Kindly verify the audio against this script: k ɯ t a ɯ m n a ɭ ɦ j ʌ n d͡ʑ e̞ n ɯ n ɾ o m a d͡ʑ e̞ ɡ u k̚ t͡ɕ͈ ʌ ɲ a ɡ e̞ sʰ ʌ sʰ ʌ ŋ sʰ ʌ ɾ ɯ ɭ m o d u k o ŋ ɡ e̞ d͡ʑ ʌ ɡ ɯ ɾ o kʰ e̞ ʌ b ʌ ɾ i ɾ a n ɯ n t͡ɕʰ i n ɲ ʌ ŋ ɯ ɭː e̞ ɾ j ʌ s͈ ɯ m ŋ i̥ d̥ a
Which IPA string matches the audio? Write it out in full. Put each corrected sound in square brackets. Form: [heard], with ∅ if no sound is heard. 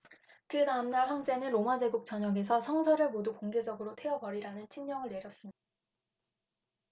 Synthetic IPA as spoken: k ɯ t a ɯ m n a ɭ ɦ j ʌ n d͡ʑ e̞ n ɯ n ɾ o m a d͡ʑ e̞ ɡ u k̚ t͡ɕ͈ ʌ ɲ [ʌ] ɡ e̞ sʰ ʌ sʰ ʌ ŋ sʰ ʌ ɾ ɯ ɭ m o d u k o ŋ ɡ e̞ d͡ʑ ʌ ɡ ɯ ɾ o [tʰ] e̞ ʌ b ʌ ɾ i ɾ a n ɯ n t͡ɕʰ i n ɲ ʌ ŋ ɯ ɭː e̞ ɾ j ʌ s͈ ɯ m [ɲ] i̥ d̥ a